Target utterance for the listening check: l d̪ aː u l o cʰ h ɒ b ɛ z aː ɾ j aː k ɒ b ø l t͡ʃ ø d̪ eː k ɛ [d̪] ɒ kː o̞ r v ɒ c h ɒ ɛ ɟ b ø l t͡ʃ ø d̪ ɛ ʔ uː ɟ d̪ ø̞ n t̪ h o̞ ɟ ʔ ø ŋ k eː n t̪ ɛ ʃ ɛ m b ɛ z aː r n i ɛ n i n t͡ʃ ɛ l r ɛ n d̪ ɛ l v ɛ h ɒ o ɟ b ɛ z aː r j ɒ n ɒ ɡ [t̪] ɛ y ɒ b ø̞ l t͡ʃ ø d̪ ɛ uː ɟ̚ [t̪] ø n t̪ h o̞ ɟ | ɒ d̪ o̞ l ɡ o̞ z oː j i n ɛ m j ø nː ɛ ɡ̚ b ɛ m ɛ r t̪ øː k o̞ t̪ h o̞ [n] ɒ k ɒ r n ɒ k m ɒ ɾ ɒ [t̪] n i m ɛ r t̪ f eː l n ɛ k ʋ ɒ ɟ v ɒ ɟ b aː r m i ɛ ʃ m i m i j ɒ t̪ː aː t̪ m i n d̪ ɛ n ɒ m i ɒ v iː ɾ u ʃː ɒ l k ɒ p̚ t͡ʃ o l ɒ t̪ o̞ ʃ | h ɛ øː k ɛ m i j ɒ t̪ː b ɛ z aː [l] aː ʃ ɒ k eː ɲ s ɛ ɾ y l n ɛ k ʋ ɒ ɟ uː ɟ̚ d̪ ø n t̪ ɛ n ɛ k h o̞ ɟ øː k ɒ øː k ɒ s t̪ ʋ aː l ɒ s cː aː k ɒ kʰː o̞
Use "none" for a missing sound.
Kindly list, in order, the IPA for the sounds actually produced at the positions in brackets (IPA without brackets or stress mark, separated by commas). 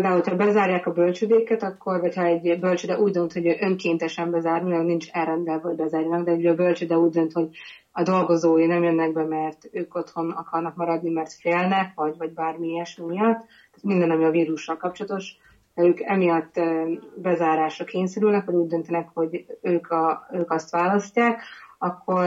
t̪, d̪, d̪, n, d̪, ɾ